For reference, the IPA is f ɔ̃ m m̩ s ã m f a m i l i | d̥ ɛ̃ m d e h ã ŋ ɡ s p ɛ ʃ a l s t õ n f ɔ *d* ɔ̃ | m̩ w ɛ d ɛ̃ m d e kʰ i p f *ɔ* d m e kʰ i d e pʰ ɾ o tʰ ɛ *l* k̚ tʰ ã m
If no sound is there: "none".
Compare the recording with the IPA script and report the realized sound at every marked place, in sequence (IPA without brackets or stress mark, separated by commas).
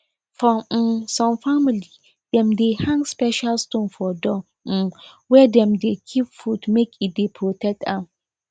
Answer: d, u, none